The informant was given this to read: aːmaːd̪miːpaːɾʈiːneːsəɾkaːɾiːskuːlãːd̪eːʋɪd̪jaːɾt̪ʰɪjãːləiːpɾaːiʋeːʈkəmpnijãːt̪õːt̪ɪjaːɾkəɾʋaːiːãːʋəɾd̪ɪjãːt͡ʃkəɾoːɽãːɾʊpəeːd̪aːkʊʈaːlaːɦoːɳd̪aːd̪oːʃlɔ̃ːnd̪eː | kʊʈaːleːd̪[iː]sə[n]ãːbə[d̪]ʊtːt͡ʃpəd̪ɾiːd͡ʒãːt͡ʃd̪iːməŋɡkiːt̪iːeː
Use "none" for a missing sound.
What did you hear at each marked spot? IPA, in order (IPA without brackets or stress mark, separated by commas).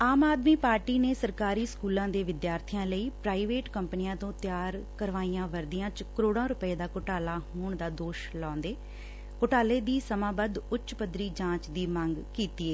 iː, m, d̪